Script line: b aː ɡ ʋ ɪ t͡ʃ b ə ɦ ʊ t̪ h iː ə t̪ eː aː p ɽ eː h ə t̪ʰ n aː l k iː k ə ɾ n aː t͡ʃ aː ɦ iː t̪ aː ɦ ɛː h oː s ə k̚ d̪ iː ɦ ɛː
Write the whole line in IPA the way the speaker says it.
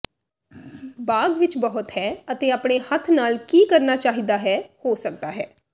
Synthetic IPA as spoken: b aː ɡ ʋ ɪ t͡ʃ b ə ɦ ʊ t̪ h ɛː ə t̪ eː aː p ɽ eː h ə t̪ʰ n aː l k iː k ə ɾ n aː t͡ʃ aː ɦ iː d̪ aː ɦ ɛː h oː s ə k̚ d̪ aː ɦ ɛː